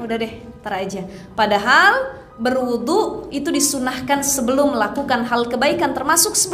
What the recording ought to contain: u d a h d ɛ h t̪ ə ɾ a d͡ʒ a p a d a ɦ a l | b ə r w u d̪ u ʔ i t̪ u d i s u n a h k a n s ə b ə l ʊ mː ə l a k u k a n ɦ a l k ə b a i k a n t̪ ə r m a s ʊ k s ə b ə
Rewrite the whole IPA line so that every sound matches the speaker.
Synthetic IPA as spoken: u d a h d ɛ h t̪ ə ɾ a d͡ʒ a p a d a ɦ a l | b ə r w u d̪ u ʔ i t̪ u d i s u n a h k a n s ə b ə l ʊ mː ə l a k u k a n ɦ a l k ə b a i k a n t̪ ə r m a s ʊ k s ə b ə